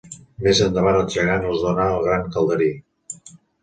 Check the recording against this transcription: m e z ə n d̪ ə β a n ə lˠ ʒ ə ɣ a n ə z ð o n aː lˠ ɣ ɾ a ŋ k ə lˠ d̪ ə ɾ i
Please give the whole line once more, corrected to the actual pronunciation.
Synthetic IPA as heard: m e z ə n d̪ ə β a n ə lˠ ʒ ə ɣ a n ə z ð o n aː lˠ ɣ ɾ a ŋ k ə lˠ d̪ ə ɾ i